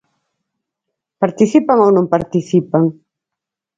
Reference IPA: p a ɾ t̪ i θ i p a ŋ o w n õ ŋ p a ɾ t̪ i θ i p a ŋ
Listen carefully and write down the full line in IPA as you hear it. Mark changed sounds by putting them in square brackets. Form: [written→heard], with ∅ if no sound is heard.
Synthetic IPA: p a ɾ t̪ i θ i p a ŋ o w n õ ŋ p a ɾ t̪ i θ i p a ŋ